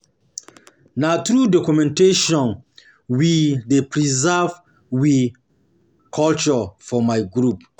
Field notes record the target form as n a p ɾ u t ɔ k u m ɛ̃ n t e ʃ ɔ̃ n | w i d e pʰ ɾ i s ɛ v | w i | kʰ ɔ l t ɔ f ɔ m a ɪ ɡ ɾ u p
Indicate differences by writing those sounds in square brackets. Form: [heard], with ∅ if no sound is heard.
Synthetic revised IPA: n a [t] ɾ u [d] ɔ k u m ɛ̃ n t e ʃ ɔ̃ n | w i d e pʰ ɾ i [z] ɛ v | w i | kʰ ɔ l [t͡ʃ] ɔ f ɔ m a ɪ ɡ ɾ u p

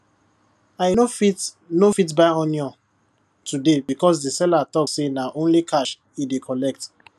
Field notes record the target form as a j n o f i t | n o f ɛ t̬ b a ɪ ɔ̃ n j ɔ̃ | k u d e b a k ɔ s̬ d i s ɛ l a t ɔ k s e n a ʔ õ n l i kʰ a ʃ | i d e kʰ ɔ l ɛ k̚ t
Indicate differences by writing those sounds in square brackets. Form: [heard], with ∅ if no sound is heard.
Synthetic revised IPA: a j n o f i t | n o f [i] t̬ b a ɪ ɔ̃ n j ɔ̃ | [t] u d e b [i] k ɔ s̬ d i s ɛ l a t ɔ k s e n a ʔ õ n l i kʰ a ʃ | i d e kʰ ɔ l ɛ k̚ t

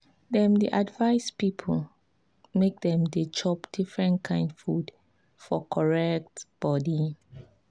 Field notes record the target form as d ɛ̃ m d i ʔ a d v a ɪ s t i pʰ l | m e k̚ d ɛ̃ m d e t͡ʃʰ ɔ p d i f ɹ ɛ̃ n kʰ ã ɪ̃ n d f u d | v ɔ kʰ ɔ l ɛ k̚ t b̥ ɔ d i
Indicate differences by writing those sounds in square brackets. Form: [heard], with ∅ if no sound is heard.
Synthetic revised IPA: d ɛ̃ m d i ʔ a d v a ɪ s [p] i pʰ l | m e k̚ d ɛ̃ m d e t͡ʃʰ ɔ p d i f ɹ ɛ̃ n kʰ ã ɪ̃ n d f u d | [f] ɔ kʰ ɔ [ɹ] ɛ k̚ t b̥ ɔ d i

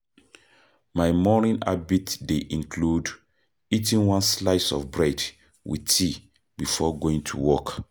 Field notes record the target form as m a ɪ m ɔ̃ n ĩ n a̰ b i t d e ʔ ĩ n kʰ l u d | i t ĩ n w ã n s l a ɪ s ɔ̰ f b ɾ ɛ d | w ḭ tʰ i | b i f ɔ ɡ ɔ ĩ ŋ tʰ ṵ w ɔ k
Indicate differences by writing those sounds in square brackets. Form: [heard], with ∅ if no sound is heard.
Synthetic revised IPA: m a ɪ m [ɔ] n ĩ n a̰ b i t d e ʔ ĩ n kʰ l u d | i t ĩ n w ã n s l a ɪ s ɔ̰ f b [ɹ] ɛ d | w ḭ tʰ i | b i f ɔ ɡ [o] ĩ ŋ tʰ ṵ w ɔ k

